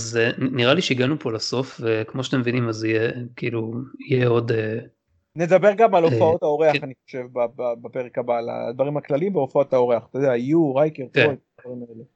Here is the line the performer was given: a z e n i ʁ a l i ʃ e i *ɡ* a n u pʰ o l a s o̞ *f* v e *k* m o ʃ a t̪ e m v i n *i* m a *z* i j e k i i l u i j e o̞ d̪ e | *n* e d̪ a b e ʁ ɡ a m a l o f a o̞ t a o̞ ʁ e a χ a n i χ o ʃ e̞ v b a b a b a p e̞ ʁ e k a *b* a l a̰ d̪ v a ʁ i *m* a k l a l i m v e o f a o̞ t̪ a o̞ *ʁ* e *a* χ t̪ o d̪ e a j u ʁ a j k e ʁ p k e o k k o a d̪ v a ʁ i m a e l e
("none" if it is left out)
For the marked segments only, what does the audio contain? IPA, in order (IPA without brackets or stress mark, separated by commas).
ɡ, f, k, i, z, n, b, m, ʁ, a